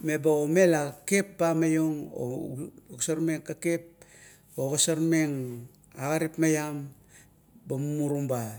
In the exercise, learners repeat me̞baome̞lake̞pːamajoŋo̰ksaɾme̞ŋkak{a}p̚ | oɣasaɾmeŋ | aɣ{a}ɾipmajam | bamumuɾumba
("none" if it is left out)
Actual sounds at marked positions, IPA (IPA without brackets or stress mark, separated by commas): e, a